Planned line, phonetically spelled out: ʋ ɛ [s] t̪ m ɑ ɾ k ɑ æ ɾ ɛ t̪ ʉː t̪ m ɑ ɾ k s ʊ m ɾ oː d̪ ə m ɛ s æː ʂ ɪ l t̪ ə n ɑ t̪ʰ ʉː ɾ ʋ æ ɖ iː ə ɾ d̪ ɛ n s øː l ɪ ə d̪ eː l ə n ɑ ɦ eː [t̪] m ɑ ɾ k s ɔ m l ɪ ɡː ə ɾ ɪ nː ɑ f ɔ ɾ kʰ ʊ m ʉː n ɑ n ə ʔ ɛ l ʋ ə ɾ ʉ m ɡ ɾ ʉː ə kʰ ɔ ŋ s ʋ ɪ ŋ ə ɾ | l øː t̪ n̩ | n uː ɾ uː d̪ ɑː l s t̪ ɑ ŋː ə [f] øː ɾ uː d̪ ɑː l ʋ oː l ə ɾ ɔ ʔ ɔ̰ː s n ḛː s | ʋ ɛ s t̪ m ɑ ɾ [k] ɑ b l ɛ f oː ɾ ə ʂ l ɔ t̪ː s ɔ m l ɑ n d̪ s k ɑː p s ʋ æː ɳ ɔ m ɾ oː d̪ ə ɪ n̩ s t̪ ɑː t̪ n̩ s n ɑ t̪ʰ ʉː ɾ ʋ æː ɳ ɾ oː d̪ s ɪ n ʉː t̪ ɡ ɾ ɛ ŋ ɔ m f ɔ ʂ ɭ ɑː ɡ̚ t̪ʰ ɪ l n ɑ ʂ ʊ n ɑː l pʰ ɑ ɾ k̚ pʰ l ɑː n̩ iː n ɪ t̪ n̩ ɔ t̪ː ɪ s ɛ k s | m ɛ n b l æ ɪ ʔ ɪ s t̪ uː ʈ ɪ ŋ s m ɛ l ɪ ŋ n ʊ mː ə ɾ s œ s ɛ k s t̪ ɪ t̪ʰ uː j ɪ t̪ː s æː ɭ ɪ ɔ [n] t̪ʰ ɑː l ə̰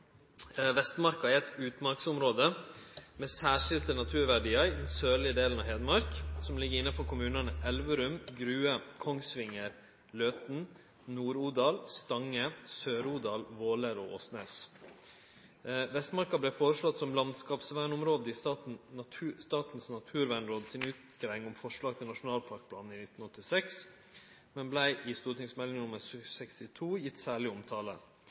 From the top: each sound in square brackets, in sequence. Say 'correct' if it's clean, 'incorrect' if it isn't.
correct, incorrect, incorrect, correct, incorrect

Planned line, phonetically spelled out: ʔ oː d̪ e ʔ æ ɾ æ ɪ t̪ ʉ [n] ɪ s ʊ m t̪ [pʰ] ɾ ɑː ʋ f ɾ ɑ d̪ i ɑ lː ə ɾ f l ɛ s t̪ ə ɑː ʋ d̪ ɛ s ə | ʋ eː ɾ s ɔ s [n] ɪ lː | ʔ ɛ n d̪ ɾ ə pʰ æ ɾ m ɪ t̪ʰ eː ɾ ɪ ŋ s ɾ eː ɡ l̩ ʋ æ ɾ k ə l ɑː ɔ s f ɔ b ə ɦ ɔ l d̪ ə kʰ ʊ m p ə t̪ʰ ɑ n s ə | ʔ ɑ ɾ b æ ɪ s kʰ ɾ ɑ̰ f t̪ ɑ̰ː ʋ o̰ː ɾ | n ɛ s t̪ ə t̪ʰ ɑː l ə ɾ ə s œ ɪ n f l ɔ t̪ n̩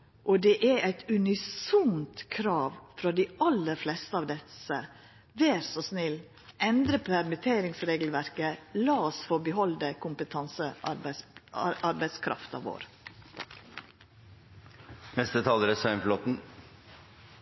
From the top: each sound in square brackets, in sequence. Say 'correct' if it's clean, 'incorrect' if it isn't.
correct, incorrect, correct

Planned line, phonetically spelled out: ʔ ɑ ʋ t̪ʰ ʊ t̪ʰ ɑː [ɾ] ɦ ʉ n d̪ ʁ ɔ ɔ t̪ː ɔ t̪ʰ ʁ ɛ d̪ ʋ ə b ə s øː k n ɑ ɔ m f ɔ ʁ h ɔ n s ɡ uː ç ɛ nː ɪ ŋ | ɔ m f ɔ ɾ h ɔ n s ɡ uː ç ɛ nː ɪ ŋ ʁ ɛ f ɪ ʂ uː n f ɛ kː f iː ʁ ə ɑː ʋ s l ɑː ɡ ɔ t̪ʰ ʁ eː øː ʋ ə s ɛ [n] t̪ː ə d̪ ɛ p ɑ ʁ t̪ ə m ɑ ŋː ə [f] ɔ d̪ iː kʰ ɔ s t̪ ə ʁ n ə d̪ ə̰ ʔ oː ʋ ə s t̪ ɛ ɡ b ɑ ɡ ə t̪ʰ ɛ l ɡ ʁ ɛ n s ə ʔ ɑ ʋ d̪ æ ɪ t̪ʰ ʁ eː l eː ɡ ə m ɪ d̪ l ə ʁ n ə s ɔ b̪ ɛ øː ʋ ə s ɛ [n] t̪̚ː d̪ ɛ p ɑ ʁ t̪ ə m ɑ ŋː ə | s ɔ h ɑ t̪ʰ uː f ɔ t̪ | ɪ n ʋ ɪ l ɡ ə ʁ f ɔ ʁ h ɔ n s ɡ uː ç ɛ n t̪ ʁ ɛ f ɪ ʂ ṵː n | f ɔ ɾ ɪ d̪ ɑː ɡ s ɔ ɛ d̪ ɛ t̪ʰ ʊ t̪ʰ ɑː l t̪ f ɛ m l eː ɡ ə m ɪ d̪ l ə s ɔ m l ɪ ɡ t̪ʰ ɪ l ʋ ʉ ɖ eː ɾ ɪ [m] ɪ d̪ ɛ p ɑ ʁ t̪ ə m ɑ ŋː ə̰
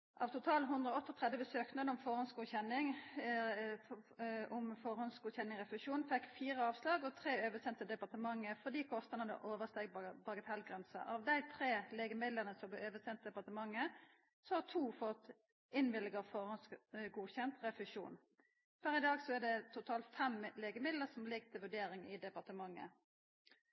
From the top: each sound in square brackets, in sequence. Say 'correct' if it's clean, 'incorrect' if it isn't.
incorrect, correct, correct, correct, incorrect

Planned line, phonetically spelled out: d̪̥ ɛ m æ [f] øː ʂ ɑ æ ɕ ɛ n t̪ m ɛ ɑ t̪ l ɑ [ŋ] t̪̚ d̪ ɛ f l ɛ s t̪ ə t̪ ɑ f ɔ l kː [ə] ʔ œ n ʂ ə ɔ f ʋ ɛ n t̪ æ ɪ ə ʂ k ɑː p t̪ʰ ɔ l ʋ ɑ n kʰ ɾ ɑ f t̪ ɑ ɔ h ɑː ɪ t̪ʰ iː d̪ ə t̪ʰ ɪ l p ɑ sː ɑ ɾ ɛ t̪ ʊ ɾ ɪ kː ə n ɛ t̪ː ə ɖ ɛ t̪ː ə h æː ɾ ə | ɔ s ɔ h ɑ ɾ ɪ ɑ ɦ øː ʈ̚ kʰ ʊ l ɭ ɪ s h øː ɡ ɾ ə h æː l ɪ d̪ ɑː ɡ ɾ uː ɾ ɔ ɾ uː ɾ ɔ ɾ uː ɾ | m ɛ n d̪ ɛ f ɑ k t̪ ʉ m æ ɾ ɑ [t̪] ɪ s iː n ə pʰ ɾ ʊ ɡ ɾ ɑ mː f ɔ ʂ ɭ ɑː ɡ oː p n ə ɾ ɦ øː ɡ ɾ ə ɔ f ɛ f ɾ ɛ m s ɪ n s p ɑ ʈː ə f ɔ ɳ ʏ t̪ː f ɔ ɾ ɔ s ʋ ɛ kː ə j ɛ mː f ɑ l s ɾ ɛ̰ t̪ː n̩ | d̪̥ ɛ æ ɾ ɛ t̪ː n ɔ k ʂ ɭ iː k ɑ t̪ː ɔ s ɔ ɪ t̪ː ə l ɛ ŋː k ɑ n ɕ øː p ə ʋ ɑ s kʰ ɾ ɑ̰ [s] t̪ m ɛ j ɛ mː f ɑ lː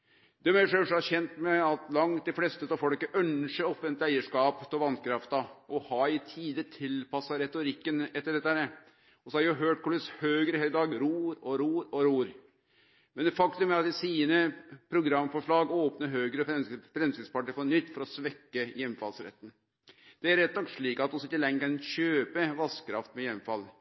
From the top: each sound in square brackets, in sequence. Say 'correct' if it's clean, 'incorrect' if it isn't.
incorrect, correct, correct, correct, incorrect

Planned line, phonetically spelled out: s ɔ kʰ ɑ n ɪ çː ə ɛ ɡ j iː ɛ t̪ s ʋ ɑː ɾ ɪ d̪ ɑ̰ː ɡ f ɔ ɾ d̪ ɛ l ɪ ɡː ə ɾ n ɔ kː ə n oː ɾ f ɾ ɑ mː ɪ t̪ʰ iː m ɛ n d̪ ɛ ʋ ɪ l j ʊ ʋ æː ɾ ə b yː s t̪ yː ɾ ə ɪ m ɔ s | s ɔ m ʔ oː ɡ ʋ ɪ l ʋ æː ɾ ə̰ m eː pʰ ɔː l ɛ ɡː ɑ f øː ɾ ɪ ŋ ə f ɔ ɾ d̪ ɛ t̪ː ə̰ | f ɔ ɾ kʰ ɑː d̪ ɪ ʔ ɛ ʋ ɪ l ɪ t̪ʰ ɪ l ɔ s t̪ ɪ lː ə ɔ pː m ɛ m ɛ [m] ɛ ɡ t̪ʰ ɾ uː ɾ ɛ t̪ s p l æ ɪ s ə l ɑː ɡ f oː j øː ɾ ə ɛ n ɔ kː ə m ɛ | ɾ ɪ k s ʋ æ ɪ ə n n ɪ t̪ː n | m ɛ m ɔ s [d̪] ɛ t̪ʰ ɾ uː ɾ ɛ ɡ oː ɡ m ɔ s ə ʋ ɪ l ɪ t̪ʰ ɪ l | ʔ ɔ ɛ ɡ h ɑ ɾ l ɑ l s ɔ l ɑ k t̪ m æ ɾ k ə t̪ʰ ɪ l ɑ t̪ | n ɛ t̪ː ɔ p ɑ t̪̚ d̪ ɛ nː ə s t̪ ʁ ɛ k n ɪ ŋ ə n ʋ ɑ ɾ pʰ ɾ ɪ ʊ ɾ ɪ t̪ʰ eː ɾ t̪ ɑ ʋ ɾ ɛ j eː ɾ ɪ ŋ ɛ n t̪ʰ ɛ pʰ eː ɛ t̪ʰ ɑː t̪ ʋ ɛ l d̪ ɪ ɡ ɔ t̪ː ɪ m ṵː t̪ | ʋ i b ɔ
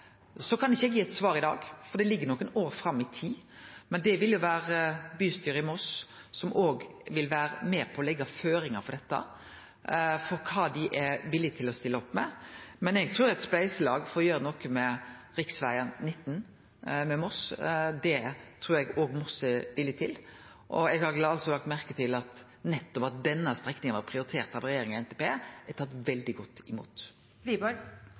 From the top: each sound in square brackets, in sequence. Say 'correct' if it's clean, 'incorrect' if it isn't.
incorrect, correct

